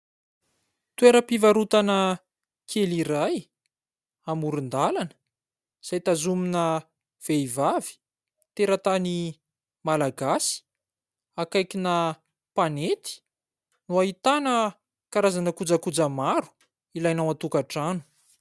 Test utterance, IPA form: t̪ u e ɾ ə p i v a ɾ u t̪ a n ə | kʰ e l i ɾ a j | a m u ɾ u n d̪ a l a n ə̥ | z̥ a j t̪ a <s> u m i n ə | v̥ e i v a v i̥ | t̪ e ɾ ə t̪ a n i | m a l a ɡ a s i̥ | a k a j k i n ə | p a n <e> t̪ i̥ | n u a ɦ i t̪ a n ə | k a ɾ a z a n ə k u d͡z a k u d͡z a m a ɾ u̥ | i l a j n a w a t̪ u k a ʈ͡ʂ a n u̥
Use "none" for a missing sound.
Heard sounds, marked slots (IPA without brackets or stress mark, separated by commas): z, e